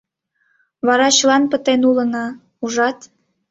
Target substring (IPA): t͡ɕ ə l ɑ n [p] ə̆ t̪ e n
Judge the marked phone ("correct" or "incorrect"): correct